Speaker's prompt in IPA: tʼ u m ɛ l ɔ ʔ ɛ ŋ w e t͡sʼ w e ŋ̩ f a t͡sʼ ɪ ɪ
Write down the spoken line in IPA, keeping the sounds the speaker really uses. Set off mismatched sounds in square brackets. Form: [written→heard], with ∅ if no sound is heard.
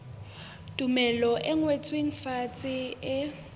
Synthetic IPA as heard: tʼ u m ɛ l ɔ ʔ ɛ ŋ w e t͡sʼ w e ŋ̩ f a t͡sʼ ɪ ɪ